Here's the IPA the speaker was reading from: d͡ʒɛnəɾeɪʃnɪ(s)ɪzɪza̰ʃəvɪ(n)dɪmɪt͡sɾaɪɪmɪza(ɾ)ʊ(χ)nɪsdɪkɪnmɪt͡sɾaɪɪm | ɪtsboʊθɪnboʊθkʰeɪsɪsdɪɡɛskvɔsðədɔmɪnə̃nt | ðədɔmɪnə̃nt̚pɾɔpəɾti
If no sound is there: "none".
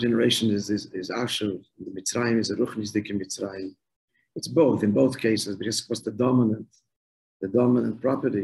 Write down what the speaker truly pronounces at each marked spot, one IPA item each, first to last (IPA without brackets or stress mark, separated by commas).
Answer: z, n, ɾ, χ